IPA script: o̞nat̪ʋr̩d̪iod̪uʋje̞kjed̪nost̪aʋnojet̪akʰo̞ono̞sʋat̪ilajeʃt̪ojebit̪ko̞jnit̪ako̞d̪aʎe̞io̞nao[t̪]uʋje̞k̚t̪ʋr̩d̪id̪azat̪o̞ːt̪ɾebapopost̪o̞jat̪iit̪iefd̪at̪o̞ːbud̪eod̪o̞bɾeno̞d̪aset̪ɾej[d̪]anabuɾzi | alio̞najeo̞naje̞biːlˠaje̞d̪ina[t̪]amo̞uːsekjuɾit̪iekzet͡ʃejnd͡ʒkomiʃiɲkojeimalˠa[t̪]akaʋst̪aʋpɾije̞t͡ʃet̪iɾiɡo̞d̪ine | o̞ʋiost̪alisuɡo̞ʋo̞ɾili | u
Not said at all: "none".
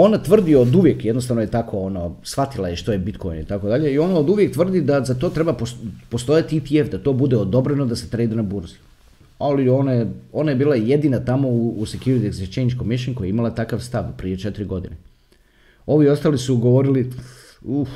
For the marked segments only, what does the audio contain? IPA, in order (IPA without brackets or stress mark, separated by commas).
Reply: d̪, d̪, t̪, t̪